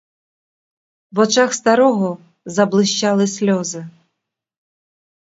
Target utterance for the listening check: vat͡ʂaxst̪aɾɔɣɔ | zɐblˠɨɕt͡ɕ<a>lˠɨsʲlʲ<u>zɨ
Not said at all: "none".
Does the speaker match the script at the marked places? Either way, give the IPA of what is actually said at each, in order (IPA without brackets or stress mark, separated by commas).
a, ɔ